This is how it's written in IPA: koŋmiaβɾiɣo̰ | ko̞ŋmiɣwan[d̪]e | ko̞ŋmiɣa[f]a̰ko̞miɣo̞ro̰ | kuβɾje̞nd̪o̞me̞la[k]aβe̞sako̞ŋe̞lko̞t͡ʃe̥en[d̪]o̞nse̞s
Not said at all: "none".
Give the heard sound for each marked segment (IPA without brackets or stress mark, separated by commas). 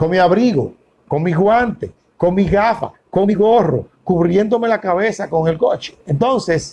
t̪, f, k, t̪